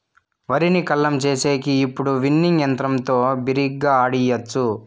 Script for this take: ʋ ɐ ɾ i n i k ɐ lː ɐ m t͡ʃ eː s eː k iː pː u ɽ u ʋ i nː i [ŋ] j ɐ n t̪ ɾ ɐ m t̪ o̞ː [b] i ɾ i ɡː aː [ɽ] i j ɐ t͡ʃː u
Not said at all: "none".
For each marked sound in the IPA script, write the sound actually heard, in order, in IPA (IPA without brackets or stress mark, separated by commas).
ŋ, b, ɽ